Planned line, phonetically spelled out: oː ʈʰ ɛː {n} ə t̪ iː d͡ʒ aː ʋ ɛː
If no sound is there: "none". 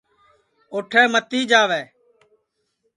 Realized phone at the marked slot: m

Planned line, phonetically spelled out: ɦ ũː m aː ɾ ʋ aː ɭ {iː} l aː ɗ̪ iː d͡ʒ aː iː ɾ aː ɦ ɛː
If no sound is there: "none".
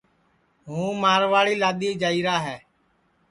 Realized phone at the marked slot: iː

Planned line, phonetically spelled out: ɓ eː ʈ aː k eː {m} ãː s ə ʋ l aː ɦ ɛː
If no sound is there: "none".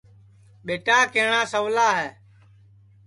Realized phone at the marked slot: ɳ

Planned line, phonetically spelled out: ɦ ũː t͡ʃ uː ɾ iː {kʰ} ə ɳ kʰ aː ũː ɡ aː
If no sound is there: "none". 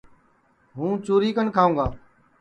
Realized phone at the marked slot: k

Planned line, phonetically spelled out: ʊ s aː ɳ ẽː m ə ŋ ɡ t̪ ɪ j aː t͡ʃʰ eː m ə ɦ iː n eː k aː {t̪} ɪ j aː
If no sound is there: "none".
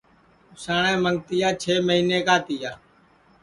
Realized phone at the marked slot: t̪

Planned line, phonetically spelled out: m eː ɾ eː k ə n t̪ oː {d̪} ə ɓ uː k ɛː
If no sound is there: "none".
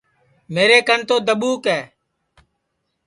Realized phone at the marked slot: d̪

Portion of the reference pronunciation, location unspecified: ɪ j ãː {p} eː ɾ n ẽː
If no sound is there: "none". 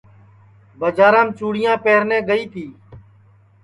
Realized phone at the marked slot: p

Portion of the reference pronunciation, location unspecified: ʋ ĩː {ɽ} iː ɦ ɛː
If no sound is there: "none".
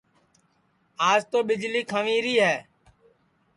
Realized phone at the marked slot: ɾ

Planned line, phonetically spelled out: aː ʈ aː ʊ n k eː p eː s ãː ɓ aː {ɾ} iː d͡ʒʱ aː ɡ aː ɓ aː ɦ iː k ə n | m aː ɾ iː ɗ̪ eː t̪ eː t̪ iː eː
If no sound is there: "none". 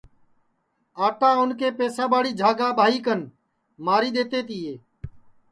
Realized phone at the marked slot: ɽ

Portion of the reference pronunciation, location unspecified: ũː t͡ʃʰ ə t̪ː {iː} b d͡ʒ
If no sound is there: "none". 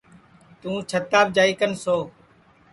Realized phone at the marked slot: aː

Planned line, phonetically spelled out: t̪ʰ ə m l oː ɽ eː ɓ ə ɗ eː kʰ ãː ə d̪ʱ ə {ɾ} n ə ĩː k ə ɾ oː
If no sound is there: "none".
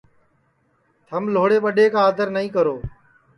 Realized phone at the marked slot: ɾ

